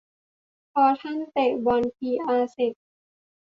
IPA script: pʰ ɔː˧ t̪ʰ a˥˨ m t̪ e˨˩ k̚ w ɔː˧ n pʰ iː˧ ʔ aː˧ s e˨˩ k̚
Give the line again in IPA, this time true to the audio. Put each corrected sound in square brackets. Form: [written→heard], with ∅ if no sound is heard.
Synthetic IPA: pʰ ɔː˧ t̪ʰ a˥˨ [m→n] t̪ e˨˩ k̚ [w→b] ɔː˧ n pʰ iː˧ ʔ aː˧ s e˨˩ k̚